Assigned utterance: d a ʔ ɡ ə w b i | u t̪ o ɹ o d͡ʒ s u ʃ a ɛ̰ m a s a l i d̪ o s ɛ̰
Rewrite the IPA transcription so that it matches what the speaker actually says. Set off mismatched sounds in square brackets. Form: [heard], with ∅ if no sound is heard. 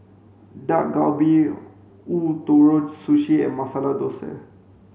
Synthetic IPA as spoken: d a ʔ ɡ [a] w b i | u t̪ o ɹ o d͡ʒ s u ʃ [i] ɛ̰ m a s a l [a] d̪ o s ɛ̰